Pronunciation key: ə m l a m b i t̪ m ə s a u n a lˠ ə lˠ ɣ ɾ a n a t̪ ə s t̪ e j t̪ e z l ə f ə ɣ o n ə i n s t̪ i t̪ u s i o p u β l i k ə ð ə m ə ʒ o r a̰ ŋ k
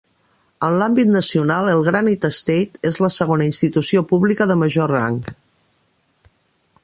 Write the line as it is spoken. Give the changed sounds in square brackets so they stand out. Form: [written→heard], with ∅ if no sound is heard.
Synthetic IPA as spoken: ə [m→n] l a m b i t̪ [m→n] ə s [a→i] u n a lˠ ə lˠ ɣ ɾ a n [a→i] t̪ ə s t̪ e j t̪ e z l ə [f→s] ə ɣ o n ə i n s t̪ i t̪ u s i o p u β l i k ə ð ə m ə ʒ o r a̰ ŋ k